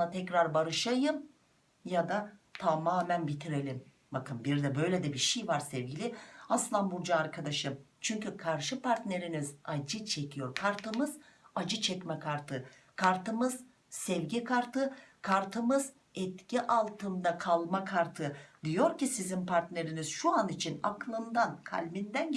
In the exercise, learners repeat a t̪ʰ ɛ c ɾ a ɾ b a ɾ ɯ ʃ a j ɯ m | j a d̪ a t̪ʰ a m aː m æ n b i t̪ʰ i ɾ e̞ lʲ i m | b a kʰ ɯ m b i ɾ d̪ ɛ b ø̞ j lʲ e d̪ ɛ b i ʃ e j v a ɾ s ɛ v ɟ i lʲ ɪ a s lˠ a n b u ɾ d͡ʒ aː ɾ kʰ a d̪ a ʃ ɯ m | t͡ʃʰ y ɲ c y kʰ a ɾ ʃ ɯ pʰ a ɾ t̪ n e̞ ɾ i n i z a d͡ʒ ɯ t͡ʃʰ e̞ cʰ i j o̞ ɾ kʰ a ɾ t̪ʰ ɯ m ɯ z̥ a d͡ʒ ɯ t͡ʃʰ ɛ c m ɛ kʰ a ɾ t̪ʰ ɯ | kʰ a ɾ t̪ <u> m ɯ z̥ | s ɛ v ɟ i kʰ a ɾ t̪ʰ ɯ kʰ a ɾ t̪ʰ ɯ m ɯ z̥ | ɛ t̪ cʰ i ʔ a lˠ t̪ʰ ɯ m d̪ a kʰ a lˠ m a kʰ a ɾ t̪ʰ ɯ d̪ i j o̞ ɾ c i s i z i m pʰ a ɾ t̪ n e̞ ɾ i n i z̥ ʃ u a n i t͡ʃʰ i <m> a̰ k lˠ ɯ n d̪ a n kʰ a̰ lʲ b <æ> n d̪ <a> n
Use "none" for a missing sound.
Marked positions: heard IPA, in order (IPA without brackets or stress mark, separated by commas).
ɯ, n, i, æ